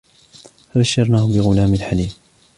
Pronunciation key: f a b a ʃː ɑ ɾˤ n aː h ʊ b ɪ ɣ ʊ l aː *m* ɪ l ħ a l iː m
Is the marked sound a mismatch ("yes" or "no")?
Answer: no